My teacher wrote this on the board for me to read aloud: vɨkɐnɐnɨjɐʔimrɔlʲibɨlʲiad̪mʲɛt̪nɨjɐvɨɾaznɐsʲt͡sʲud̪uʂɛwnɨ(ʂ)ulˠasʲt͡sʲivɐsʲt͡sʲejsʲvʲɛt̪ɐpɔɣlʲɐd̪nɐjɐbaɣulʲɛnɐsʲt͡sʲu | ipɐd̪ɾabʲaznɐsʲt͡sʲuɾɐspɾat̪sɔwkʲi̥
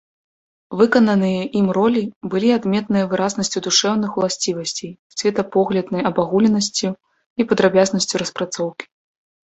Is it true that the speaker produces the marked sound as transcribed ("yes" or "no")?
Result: no